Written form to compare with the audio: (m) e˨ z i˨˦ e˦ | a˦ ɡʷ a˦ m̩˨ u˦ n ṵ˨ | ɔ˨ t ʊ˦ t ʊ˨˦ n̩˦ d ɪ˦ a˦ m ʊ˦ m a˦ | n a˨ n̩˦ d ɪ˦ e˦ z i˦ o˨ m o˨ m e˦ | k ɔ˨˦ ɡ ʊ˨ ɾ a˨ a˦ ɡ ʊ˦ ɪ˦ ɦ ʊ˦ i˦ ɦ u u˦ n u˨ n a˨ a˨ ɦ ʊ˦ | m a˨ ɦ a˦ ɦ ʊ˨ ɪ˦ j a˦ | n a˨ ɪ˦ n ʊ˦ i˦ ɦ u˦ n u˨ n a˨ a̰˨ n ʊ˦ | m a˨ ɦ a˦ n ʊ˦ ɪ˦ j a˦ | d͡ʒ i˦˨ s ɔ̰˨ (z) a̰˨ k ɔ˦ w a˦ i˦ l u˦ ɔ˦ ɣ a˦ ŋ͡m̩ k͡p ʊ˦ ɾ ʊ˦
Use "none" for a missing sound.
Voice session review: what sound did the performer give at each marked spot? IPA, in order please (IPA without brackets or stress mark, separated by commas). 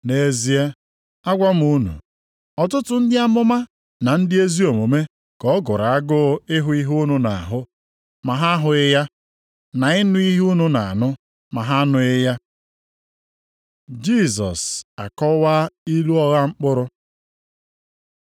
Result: n, s